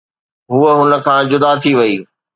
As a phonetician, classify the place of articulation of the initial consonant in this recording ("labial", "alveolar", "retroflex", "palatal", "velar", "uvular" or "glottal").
glottal